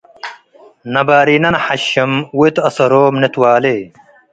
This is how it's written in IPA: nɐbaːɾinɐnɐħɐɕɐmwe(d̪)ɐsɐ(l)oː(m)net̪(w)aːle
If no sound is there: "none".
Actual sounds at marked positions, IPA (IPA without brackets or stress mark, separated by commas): t̪, ɾ, m, w